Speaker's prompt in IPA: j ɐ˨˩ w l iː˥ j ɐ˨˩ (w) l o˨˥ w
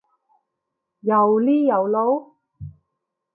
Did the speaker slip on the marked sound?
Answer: no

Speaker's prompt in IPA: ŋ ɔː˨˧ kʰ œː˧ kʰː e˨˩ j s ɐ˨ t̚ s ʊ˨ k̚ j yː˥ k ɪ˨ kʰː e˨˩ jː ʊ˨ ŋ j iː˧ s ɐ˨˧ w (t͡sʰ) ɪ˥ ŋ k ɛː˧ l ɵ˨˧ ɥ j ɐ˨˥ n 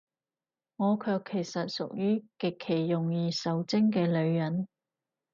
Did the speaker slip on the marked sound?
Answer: yes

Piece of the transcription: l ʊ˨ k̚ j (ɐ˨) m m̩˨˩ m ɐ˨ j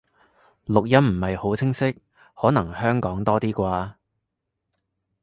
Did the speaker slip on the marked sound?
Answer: yes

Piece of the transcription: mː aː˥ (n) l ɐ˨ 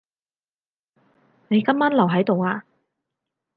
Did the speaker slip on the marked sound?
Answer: no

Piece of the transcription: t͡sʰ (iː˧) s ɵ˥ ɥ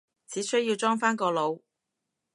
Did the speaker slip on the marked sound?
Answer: yes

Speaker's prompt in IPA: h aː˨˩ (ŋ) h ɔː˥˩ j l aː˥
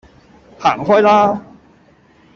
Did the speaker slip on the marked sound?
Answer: no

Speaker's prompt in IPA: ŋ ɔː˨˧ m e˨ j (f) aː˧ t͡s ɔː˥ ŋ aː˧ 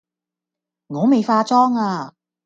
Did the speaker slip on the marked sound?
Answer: no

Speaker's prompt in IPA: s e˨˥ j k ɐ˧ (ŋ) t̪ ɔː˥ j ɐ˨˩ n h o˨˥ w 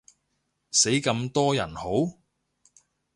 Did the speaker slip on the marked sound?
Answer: yes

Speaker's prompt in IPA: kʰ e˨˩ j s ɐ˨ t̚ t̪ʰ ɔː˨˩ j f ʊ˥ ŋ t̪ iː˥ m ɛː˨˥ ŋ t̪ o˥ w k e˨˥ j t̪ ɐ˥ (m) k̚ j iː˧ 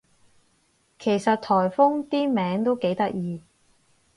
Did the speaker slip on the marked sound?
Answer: yes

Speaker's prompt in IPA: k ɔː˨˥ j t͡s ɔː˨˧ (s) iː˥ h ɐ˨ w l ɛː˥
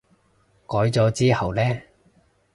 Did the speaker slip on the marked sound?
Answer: yes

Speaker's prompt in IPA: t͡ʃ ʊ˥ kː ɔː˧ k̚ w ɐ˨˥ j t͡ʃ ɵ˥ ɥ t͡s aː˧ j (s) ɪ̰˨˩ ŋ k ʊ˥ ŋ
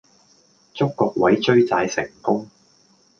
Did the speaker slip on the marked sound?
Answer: no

